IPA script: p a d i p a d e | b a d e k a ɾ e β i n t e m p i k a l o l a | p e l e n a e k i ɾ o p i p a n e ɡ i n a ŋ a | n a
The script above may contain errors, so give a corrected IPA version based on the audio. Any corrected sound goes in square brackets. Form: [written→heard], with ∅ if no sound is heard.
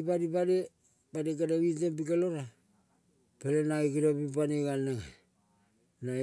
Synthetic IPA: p a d i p a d e | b a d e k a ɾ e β i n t e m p i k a l o [l→ɾ] a | p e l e n a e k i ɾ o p i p a n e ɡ [i→a] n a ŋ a | n a